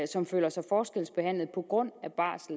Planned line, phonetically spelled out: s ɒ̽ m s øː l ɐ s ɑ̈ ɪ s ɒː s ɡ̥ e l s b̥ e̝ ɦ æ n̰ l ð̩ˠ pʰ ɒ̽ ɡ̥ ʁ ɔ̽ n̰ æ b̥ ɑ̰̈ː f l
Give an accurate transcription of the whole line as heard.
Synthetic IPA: s ɒ̽ m f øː l ɐ s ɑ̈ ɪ f ɒː s ɡ̥ e l s b̥ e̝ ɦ æ n̰ l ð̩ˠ pʰ ɒ̽ ɡ̥ ʁ ɔ̽ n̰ æ b̥ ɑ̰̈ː s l